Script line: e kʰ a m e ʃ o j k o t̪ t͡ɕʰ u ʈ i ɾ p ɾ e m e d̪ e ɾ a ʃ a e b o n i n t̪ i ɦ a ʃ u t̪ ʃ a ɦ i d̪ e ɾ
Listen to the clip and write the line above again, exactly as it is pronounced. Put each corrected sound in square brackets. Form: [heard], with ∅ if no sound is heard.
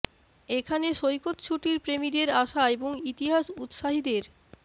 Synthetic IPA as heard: e kʰ a [n] e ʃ o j k o t̪ t͡ɕʰ u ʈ i ɾ p ɾ e m [i] d̪ e ɾ a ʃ a e b o [ŋ] i [∅] t̪ i ɦ a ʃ u t̪ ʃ a ɦ i d̪ e ɾ